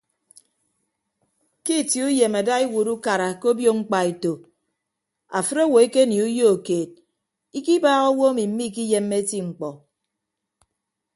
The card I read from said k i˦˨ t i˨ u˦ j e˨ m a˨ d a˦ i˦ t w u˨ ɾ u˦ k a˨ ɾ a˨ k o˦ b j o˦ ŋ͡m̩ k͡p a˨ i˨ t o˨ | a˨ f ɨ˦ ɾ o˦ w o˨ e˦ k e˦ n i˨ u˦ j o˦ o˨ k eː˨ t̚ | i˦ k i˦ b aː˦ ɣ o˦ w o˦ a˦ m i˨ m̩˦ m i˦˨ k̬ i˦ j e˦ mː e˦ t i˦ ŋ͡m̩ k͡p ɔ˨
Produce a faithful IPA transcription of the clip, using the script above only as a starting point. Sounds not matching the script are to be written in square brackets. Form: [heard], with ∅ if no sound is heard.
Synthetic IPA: k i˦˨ t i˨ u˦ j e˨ m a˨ d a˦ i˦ [∅] w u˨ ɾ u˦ k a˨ ɾ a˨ k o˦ b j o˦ ŋ͡m̩ k͡p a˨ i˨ t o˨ | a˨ f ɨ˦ ɾ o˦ w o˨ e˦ k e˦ n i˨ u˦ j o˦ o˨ k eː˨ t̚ | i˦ k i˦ b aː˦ ɣ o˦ w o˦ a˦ m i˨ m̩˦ m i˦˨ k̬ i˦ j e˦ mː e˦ t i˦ ŋ͡m̩ k͡p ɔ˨